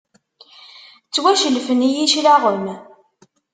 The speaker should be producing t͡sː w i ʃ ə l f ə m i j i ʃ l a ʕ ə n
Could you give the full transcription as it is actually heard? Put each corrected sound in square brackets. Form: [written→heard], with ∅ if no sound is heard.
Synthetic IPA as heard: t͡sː w [i→æ] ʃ ə l f ə [m→n] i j i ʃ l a [ʕ→ʁ] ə [n→m]